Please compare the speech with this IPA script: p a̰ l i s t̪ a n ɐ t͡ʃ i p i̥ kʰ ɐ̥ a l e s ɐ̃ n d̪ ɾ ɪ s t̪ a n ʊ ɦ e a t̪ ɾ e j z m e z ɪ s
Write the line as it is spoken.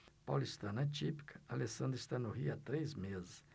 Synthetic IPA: p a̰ l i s t̪ a n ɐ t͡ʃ i p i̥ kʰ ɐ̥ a l e s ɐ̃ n d̪ ɾ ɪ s t̪ a n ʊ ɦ i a t̪ ɾ e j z m e z ɪ s